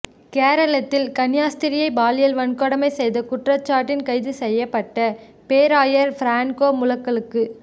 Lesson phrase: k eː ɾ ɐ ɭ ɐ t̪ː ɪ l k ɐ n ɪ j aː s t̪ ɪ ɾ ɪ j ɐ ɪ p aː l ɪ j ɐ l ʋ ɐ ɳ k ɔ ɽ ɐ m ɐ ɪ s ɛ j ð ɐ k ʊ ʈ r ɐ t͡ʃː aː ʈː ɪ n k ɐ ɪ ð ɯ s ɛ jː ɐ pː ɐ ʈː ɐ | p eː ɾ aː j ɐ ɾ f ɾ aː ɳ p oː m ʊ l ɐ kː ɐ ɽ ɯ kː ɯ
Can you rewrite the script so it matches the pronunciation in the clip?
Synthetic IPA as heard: k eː ɾ ɐ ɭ ɐ t̪ː ɪ l k ɐ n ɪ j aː s t̪ ɪ ɾ ɪ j ɐ ɪ b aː l ɪ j ɐ l ʋ ɐ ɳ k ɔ ɽ ɐ m ɐ ɪ s ɛ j ð ɐ k ʊ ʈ r ɐ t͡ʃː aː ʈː ɪ n k ɐ ɪ ð ɯ s ɛ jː ɐ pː ɐ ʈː ɐ | p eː ɾ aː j ɐ ɾ f ɾ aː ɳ k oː m ʊ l ɐ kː ɐ ɭ ɯ kː ɯ

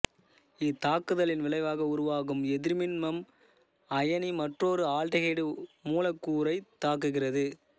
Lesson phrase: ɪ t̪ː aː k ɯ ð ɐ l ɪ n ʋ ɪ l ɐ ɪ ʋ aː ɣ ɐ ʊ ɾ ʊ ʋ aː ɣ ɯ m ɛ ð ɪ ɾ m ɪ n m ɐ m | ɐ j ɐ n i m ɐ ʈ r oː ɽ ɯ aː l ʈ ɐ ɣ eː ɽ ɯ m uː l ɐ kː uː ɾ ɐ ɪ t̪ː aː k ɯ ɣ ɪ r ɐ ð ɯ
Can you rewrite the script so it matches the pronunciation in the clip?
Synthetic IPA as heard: ɪ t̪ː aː k ɯ ð ɐ l ɪ n ʋ ɪ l ɐ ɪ ʋ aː ɣ ɐ ʊ ɾ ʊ ʋ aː ɣ ɯ m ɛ ð ɪ ɾ m ɪ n m ɐ m | ɐ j ɐ n i m ɐ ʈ r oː ɾ ɯ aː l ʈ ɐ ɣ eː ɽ ɯ m uː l ɐ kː uː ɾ ɐ ɪ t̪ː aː k ɯ ɣ ɪ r ɐ ð ɯ

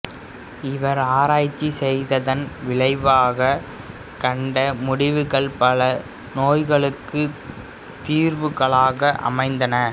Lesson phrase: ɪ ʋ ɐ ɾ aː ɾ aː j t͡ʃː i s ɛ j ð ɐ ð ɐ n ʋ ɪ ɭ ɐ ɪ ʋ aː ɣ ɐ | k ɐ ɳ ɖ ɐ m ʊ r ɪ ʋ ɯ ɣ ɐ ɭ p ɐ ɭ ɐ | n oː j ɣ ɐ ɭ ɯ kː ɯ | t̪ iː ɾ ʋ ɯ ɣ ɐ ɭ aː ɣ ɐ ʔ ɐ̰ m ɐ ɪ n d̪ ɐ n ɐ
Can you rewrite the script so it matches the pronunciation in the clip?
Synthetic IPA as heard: ɪ ʋ ɐ ɾ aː ɾ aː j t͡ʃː i s ɛ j ð ɐ ð ɐ n ʋ ɪ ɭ ɐ ɪ ʋ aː ɣ ɐ | k ɐ ɳ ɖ ɐ m ʊ ɽ ɪ ʋ ɯ ɣ ɐ ɭ p ɐ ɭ ɐ | n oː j ɣ ɐ ɭ ɯ kː ɯ | t̪ iː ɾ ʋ ɯ ɣ ɐ ɭ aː ɣ ɐ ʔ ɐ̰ m ɐ ɪ n d̪ ɐ n ɐ

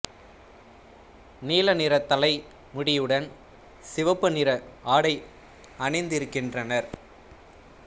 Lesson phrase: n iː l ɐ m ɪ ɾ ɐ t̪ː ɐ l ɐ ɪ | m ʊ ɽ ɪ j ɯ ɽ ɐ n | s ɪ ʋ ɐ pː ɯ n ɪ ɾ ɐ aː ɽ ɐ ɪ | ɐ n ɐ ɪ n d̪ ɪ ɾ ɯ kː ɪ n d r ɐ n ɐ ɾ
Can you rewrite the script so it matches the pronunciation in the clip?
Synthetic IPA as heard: n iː l ɐ n ɪ ɾ ɐ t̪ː ɐ l ɐ ɪ | m ʊ ɽ ɪ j ɯ ɽ ɐ n | s ɪ ʋ ɐ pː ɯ n ɪ ɾ ɐ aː ɽ ɐ ɪ | ɐ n ɐ ɪ n d̪ ɪ ɾ ɯ kː ɪ n d r ɐ n ɐ ɾ

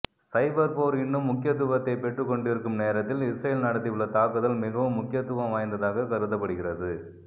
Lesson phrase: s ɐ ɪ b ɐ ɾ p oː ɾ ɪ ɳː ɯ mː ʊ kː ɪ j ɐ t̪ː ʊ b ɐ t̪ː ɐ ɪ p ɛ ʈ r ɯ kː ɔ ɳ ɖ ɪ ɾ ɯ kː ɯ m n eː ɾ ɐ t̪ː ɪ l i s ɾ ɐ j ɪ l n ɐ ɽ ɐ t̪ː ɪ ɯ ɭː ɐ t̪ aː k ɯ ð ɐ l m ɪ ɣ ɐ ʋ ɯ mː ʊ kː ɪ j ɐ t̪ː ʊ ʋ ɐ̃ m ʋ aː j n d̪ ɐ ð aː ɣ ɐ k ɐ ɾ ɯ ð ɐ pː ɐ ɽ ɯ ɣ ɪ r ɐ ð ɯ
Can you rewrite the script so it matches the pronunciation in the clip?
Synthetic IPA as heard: s ɐ ɪ b ɐ ɾ p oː ɾ ɪ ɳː ɯ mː ʊ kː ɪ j ɐ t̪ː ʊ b ɐ t̪ː ɐ ɪ p ɛ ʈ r ɯ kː ɔ ɳ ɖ ɪ ɾ ɯ kː ɯ m n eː ɾ ɐ t̪ː ɪ l ɪ s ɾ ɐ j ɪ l n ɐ ɽ ɐ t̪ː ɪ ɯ ɭː ɐ t̪ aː k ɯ ð ɐ l m ɪ ɣ ɐ ʋ ɯ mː ʊ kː ɪ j ɐ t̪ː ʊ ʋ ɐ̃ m ʋ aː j n d̪ ɐ ð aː ɣ ɐ k ɐ ɾ ɯ ð ɐ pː ɐ ɽ ɯ ɣ ɪ r ɐ ð ɯ

